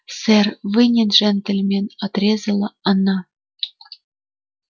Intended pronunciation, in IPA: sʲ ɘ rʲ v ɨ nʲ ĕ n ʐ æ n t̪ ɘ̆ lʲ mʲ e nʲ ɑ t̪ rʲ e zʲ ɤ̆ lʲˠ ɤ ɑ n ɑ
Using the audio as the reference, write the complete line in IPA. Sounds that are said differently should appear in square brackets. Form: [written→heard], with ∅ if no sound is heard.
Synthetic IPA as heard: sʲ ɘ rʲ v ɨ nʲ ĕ n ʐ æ n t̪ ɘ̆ lʲ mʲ e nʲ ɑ t̪ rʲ e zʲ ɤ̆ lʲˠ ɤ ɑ n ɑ